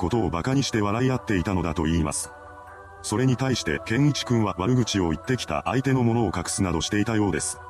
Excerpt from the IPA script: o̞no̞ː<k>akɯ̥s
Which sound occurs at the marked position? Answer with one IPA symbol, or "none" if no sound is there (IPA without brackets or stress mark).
k